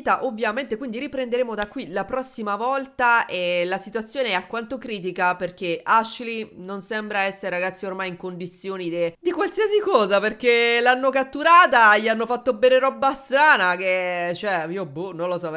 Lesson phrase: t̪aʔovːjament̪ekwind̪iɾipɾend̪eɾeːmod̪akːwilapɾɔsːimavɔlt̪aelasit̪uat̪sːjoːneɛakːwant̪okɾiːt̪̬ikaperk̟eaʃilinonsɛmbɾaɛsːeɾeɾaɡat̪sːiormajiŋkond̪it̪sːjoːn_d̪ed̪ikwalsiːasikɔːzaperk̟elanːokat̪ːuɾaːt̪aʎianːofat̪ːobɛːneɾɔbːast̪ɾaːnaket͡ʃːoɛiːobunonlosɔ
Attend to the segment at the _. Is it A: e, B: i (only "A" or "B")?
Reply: B